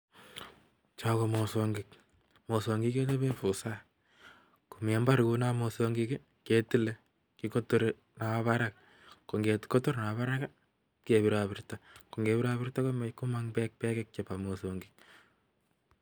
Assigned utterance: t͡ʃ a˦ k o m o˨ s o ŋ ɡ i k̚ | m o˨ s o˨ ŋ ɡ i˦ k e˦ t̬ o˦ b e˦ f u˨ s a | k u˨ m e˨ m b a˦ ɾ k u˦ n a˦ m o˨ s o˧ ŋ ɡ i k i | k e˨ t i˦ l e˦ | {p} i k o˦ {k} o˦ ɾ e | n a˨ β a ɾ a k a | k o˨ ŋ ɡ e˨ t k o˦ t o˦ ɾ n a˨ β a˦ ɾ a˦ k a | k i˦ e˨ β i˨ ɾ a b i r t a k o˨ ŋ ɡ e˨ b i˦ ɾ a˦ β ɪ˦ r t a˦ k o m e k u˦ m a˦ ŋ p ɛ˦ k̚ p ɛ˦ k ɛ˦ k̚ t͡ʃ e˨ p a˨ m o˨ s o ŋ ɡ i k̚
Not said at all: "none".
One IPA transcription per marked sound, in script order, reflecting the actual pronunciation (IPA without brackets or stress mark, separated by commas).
k, t